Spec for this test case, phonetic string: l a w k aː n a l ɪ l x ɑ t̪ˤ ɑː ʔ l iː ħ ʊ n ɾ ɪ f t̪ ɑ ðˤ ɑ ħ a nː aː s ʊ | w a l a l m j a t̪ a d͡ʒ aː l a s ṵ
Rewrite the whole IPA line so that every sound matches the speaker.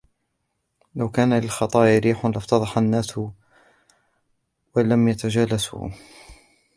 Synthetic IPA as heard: l a w k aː n a l ɪ l x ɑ t̪ˤ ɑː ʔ ɾ iː ħ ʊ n l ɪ f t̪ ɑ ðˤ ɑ ħ a nː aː s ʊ | w a l a m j a t̪ a d͡ʒ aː l a s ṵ